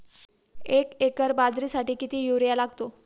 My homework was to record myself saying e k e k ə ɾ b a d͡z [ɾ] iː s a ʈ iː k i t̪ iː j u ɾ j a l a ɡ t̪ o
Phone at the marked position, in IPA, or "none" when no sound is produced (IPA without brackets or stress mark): ɾ